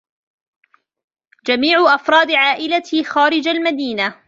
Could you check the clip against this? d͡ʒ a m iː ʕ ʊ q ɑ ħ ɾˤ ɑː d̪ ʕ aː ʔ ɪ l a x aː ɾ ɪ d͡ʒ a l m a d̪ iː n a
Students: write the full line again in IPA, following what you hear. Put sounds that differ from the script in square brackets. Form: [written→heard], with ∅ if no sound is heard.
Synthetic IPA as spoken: d͡ʒ a m iː ʕ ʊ [q→ʔ] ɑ [ħ→f] ɾˤ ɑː d̪ ʕ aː ʔ ɪ l a x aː ɾ ɪ d͡ʒ a l m a d̪ iː n a